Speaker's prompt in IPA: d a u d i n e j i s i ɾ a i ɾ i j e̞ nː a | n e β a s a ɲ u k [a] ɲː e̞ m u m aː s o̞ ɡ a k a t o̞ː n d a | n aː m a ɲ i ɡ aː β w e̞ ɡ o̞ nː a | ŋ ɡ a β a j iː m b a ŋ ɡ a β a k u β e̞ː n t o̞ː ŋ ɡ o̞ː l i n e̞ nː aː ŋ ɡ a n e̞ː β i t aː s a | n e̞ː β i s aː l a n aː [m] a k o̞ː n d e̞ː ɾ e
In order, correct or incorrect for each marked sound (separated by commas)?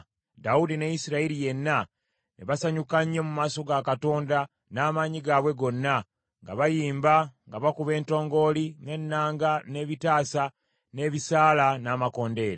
correct, correct